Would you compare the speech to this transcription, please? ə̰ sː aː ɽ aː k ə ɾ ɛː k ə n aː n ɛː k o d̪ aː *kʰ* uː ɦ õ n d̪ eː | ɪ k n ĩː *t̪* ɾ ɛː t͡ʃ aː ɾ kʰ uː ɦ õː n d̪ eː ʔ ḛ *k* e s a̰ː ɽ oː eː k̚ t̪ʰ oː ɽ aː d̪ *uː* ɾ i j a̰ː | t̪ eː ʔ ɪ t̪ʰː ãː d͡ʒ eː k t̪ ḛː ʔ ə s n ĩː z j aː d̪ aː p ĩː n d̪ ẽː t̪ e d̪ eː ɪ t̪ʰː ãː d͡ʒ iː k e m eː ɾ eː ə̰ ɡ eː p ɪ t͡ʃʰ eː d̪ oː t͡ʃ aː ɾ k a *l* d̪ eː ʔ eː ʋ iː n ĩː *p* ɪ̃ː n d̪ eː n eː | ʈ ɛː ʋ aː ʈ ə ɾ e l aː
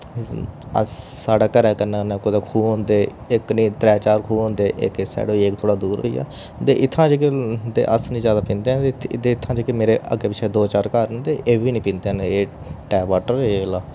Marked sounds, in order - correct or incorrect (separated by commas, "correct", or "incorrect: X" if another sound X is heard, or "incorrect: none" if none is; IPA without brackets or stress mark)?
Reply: correct, correct, correct, correct, incorrect: ɾ, correct